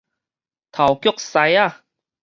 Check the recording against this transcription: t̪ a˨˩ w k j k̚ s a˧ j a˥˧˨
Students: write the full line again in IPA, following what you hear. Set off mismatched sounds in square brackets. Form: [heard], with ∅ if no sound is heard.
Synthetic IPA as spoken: [t̪ʰ] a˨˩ w k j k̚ s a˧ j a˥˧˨